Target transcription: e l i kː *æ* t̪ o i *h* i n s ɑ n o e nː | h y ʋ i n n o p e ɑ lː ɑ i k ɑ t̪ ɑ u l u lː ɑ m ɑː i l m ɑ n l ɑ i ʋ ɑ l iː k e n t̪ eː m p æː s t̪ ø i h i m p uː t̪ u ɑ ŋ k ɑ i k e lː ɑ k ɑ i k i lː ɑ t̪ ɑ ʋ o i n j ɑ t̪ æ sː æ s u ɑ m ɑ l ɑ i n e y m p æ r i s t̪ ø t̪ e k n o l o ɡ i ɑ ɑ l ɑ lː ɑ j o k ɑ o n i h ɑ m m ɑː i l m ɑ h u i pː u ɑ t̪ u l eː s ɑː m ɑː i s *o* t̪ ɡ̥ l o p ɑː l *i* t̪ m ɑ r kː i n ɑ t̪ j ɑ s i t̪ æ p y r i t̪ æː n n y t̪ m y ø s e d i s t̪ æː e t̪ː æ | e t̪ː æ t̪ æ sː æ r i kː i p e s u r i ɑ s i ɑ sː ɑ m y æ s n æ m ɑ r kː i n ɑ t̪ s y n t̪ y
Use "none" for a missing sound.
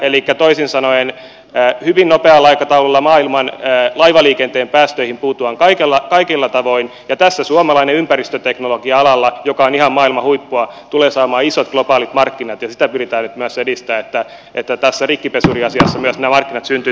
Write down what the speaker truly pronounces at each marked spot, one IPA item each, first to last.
æ, s, o, i

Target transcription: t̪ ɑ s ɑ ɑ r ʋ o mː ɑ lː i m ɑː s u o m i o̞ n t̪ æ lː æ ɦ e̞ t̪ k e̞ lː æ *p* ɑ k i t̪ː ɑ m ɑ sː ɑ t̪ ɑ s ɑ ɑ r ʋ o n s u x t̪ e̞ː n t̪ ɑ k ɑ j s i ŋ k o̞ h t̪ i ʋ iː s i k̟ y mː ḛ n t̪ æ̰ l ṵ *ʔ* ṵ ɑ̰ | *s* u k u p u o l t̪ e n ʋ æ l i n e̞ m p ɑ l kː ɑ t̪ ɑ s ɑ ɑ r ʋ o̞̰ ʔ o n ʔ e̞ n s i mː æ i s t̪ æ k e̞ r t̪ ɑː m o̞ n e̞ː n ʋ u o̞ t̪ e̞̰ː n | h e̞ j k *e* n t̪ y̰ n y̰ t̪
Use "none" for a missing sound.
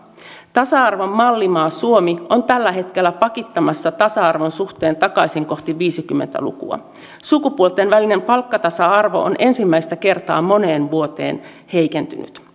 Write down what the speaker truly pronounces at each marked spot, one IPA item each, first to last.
p, k, s, e

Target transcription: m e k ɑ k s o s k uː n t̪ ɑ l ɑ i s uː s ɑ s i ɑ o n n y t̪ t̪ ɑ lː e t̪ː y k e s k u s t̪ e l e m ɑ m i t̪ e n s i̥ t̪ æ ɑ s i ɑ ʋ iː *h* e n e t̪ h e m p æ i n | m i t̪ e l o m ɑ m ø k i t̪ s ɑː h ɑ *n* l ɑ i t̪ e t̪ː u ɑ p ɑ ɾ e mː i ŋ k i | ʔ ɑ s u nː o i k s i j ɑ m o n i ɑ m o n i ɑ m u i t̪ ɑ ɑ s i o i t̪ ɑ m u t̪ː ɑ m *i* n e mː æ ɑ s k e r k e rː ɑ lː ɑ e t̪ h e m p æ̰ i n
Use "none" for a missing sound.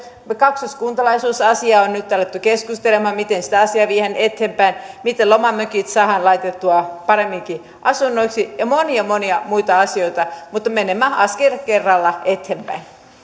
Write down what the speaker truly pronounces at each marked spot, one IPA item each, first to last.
h, n, e

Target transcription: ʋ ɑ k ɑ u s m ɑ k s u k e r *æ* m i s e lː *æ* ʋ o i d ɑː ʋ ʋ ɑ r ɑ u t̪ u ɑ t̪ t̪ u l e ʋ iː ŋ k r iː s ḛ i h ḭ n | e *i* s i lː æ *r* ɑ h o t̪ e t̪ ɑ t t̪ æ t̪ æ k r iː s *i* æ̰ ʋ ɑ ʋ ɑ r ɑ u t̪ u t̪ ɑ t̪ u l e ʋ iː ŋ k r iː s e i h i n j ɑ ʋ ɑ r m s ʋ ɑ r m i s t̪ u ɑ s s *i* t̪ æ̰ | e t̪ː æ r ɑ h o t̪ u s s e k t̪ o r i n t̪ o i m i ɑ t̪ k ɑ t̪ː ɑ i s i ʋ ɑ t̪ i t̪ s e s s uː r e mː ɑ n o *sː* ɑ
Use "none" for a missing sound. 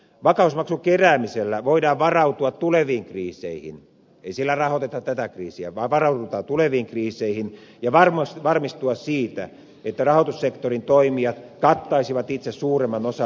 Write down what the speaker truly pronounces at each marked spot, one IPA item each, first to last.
æː, æ, i, r, i, iː, s

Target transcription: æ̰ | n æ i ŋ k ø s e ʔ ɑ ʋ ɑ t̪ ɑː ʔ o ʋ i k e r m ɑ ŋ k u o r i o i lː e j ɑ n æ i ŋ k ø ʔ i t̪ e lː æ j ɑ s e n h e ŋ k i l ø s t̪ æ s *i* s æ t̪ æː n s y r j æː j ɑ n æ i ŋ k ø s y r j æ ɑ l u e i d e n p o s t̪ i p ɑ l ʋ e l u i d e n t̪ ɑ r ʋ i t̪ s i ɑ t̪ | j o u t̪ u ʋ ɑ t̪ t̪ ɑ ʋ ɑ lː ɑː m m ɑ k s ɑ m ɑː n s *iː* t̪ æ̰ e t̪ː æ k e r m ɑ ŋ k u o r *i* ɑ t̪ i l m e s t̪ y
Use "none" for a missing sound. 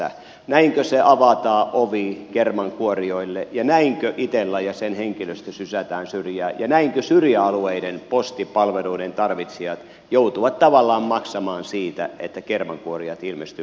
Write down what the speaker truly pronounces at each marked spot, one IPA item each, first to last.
y, iː, i

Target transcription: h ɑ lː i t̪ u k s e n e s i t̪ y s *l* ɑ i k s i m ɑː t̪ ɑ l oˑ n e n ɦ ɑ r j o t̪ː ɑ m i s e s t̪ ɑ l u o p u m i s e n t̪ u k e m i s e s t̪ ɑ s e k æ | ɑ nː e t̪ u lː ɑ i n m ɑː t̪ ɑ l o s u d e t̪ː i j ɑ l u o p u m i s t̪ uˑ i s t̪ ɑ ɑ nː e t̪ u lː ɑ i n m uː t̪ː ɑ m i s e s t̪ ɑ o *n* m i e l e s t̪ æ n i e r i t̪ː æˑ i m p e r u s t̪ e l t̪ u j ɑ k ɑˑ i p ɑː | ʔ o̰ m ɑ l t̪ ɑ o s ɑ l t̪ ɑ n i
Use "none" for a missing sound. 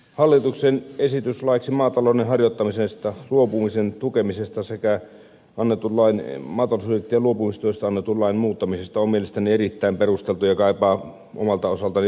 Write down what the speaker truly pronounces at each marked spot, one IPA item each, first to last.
l, m

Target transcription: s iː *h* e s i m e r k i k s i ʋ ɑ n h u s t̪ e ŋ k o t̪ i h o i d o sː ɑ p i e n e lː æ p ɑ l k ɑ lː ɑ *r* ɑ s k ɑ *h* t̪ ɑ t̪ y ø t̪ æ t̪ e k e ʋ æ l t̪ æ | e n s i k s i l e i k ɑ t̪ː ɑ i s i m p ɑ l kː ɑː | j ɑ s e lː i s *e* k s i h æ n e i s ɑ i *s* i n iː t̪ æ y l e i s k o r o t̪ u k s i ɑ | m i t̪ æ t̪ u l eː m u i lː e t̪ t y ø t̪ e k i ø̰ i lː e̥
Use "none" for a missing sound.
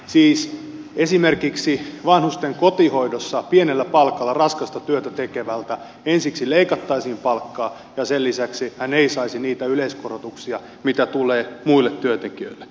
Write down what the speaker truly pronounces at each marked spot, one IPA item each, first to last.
s, r, s, æ, s

